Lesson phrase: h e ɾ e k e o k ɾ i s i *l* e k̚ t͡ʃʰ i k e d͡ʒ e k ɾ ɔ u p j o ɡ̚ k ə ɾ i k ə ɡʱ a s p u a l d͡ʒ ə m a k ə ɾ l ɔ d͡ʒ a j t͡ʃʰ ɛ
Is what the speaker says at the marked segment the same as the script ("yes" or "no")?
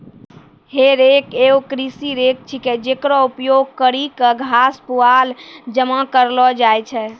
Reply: no